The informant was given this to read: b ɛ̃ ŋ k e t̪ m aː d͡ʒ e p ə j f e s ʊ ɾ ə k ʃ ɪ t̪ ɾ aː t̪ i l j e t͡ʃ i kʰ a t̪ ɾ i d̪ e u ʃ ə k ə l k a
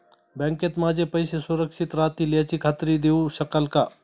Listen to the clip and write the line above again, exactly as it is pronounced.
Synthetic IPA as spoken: b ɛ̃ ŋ k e t̪ m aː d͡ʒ e p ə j s e s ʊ ɾ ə k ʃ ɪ t̪ ɾ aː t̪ i l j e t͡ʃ i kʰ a t̪ ɾ i d̪ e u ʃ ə k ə l k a